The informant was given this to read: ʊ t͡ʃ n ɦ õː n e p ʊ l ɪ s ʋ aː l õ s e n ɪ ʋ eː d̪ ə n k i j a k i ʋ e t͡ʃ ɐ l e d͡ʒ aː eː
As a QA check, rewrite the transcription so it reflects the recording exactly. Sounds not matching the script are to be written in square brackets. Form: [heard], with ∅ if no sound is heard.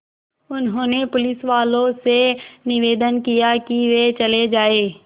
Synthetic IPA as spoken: ʊ [∅] n ɦ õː n e p ʊ l ɪ s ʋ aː l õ s e n ɪ ʋ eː d̪ ə n k i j a k i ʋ e t͡ʃ ɐ l e d͡ʒ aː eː